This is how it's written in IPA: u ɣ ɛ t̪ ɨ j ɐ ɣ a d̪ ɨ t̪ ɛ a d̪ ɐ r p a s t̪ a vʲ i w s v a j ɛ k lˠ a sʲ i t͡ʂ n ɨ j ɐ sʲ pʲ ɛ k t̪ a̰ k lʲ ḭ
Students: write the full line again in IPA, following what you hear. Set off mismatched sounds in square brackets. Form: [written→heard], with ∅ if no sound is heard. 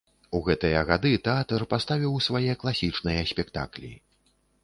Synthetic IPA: u ɣ ɛ t̪ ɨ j ɐ ɣ a d̪ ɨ t̪ ɛ a [d̪→t̪] ɐ r p a s t̪ a vʲ i w s v a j ɛ k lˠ a sʲ i t͡ʂ n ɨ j ɐ sʲ pʲ ɛ k t̪ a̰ k lʲ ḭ